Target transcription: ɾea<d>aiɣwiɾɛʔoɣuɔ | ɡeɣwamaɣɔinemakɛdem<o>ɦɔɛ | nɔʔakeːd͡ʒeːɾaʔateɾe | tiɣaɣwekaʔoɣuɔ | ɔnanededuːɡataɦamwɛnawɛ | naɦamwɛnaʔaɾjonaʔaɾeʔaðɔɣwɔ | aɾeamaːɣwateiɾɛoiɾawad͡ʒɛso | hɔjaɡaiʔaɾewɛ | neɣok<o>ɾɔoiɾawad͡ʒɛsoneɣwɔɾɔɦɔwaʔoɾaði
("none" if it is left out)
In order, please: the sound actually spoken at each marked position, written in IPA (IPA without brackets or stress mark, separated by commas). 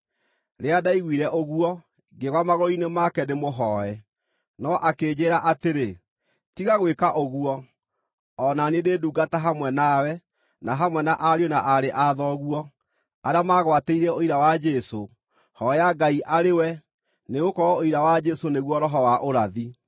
d, o, ɔ